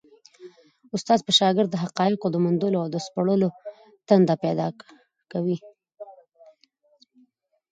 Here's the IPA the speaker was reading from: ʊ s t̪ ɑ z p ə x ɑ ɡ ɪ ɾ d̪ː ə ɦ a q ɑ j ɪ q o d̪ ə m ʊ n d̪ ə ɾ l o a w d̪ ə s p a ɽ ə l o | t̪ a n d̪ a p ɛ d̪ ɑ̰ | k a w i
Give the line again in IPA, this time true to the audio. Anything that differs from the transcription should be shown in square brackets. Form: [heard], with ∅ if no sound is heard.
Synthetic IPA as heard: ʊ s t̪ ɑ z p ə [ʃ] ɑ ɡ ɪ ɾ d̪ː ə ɦ a q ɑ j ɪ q o d̪ ə m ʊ n d̪ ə [∅] l o a w d̪ ə s p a ɽ ə l o | t̪ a n d̪ a p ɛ d̪ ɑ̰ | k a w i

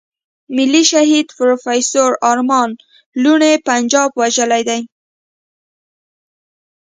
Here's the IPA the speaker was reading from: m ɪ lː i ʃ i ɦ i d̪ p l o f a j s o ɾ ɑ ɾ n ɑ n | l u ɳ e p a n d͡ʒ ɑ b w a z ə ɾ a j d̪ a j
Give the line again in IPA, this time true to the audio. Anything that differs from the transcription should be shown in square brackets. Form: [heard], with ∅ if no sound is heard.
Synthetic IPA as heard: m ɪ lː i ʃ [a] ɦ i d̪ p [ɾ] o f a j s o ɾ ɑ ɾ [m] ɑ n | l u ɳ e p a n d͡ʒ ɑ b w a [ʒ] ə [l] a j d̪ a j

